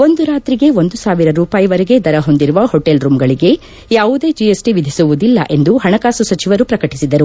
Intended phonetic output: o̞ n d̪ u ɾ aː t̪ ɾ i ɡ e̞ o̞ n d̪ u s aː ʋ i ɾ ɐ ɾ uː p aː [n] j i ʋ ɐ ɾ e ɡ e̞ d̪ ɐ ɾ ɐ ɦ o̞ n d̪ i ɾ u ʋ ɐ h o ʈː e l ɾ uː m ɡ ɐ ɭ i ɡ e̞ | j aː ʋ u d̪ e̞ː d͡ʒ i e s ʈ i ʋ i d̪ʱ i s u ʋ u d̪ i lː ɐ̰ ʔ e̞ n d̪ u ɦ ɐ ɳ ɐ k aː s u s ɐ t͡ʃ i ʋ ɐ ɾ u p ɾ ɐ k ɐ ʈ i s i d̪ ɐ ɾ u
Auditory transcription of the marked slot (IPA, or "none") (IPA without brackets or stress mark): none